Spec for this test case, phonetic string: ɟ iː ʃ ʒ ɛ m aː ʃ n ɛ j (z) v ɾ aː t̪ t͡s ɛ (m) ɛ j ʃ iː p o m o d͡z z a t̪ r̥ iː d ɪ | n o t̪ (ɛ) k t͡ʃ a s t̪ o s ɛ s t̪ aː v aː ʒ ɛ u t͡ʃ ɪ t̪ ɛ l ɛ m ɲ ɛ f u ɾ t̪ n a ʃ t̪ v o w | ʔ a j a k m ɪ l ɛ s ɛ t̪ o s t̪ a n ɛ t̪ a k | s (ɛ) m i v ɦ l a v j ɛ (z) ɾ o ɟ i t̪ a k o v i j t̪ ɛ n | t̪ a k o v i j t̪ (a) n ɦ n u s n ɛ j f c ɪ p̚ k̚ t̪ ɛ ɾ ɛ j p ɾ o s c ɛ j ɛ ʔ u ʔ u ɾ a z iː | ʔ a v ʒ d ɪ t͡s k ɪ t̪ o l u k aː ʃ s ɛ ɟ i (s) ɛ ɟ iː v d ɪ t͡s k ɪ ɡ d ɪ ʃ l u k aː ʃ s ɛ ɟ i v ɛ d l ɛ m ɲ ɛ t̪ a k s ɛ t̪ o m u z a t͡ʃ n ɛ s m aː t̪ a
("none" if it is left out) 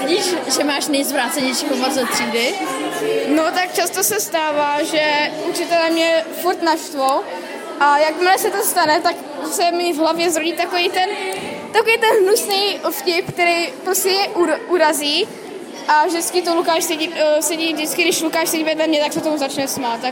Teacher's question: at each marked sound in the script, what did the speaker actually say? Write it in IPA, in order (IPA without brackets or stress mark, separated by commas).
z, ɲ, a, ɛ, z, ɛ, s